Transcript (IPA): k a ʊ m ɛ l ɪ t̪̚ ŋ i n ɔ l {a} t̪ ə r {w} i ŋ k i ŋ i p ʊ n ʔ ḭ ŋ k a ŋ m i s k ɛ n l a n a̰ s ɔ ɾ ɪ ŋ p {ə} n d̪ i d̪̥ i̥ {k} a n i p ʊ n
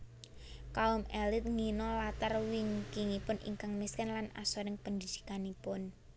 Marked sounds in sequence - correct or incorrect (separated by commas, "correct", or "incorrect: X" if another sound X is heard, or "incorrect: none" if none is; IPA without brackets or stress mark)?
correct, correct, correct, correct